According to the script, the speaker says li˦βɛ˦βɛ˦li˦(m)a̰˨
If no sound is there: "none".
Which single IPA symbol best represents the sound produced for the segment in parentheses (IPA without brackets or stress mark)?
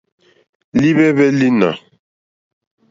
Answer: n